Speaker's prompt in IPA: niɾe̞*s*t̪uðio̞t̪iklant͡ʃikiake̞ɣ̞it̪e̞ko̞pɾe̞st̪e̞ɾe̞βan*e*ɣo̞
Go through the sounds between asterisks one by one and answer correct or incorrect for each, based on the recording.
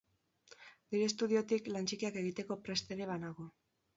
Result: correct, incorrect

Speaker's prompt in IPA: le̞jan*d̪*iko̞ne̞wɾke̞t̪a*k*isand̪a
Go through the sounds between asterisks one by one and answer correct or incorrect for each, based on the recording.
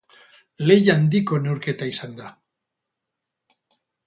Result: correct, incorrect

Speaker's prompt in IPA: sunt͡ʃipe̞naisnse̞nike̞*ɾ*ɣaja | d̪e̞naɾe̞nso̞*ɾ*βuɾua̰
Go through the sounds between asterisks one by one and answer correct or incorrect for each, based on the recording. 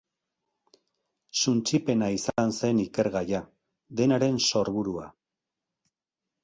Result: correct, correct

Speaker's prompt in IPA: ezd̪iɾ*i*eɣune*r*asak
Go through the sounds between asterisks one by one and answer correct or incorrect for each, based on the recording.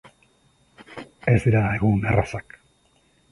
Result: incorrect, correct

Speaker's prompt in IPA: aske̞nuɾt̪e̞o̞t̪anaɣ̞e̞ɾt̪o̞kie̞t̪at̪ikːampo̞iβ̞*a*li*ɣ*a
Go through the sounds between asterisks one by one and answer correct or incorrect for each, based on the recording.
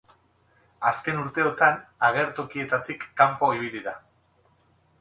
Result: incorrect, incorrect

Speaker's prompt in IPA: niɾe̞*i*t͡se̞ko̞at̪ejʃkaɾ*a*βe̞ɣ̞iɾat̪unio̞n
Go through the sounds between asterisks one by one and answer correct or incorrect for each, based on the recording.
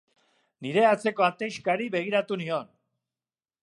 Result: incorrect, incorrect

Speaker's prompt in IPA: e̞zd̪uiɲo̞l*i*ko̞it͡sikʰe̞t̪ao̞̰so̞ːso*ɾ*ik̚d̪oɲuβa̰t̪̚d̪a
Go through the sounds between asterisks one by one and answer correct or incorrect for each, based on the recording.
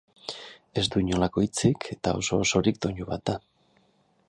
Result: incorrect, correct

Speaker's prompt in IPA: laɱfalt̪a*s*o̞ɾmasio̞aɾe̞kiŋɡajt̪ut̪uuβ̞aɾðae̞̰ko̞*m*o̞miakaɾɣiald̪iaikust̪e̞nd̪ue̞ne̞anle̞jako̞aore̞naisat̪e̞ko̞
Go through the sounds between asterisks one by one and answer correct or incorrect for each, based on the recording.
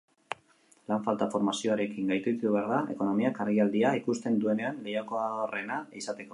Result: incorrect, incorrect

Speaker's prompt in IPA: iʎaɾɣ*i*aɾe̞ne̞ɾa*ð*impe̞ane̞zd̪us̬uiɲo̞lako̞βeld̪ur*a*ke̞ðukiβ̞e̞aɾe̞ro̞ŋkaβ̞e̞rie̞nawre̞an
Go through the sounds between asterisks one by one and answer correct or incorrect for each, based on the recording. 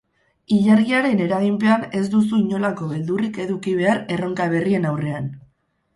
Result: correct, incorrect, incorrect

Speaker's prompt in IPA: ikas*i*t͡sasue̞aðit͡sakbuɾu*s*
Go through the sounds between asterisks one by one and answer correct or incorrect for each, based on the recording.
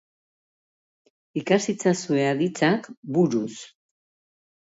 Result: correct, correct

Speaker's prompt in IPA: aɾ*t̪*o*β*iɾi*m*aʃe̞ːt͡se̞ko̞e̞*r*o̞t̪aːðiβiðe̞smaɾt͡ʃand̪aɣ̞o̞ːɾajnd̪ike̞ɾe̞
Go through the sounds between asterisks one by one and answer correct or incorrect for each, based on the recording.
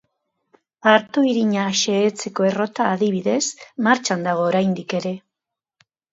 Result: correct, incorrect, incorrect, correct

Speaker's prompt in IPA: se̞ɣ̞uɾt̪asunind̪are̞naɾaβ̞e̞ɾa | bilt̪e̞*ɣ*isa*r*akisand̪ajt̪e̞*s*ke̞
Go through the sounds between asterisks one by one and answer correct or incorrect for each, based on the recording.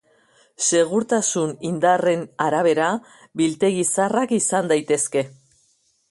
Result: correct, correct, correct

